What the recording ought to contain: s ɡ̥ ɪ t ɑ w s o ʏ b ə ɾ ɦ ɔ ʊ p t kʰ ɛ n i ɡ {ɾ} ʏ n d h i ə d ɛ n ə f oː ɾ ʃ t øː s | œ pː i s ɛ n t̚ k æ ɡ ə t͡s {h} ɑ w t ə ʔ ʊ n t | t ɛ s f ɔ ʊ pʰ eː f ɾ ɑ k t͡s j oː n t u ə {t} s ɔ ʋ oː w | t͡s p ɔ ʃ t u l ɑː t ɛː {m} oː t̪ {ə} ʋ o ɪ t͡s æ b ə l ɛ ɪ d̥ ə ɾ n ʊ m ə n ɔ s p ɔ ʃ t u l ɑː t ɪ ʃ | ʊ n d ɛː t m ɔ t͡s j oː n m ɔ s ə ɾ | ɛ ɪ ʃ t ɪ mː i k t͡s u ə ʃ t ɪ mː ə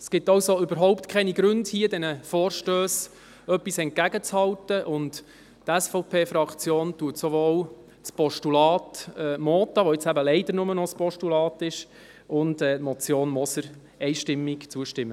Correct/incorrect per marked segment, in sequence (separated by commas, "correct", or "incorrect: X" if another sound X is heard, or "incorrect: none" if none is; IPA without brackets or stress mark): correct, correct, correct, correct, incorrect: ɑ